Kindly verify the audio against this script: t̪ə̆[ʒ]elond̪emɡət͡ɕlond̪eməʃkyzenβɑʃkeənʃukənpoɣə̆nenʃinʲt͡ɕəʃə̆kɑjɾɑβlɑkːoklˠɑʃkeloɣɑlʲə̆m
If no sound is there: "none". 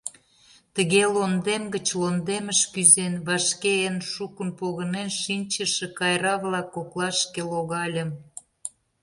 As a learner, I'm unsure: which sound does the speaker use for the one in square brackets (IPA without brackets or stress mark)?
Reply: ɣ